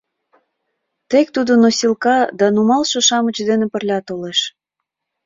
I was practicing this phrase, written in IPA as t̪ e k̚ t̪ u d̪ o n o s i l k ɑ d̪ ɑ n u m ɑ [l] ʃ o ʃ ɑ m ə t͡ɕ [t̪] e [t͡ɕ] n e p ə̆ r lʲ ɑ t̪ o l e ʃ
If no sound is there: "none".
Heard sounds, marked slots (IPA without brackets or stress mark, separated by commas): l, d̪, none